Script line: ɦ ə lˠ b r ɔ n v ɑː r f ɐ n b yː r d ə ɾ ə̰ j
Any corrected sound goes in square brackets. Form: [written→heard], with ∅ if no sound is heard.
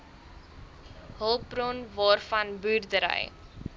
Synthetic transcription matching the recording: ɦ ə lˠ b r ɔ n v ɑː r f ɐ n b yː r d ə ɾ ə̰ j